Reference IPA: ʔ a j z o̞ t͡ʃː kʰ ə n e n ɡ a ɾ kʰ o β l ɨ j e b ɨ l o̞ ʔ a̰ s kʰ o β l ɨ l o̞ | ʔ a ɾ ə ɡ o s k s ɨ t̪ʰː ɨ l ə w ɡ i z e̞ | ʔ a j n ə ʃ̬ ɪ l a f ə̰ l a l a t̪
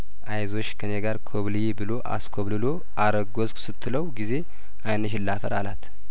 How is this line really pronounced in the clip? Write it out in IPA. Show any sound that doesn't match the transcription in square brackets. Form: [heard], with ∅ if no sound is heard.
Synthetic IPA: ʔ a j z o̞ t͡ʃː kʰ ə n e [∅] ɡ a ɾ kʰ o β l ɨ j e b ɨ l o̞ ʔ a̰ s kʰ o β l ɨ l o̞ | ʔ a ɾ ə ɡ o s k s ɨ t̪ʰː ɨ l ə w ɡ i z e̞ | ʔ a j n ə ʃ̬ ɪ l a f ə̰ [ɾ] a l a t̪